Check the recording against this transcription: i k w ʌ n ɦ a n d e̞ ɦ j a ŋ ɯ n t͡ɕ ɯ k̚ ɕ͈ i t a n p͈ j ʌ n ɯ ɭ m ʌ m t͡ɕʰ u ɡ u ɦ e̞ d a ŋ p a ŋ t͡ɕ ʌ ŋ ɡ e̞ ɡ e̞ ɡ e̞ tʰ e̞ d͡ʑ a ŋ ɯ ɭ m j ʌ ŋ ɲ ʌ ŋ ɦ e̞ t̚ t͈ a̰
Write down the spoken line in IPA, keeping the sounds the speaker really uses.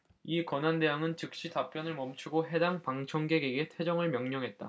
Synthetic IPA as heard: i k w ʌ n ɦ a n d e̞ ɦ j a ŋ ɯ n t͡ɕ ɯ k̚ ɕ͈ i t a p͈ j ʌ n ɯ ɭ m ʌ m t͡ɕʰ u ɡ o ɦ e̞ d a ŋ p a ŋ t͡ɕʰ ʌ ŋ ɡ e̞ ɡ e̞ ɡ e̞ tʰ e̞ d͡ʑ ʌ ŋ ɯ ɭ m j ʌ ŋ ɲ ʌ ŋ ɦ e̞ t̚ t͈ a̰